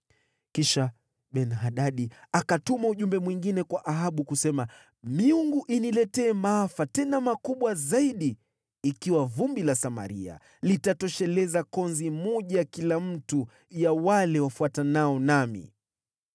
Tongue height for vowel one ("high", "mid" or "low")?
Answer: high